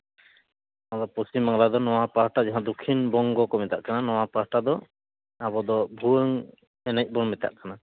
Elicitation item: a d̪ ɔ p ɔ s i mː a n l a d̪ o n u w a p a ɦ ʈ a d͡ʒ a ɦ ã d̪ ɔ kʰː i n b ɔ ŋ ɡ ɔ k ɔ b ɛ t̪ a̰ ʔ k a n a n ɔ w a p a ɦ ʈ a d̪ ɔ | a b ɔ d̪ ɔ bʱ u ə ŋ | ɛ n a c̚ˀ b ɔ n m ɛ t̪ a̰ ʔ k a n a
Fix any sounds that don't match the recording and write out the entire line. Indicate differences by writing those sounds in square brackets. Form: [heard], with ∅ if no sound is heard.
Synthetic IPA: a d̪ ɔ p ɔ s i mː a [ŋ] l a d̪ [ɔ] n [ɔ] w a p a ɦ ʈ a d͡ʒ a ɦ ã d̪ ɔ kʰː i n b ɔ ŋ ɡ ɔ k ɔ [m] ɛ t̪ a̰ ʔ k a n a n ɔ w a p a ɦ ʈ a d̪ ɔ | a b ɔ d̪ ɔ bʱ u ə ŋ | ɛ n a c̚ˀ b ɔ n m ɛ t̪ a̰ ʔ k a n a